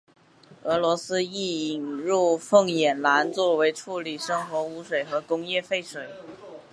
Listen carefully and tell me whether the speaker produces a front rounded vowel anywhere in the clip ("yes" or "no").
no